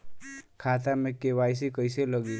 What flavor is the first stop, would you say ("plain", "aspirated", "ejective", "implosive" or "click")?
aspirated